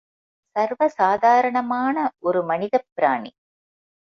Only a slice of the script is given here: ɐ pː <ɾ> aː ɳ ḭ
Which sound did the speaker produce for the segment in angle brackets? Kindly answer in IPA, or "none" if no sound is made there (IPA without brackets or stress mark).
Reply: ɾ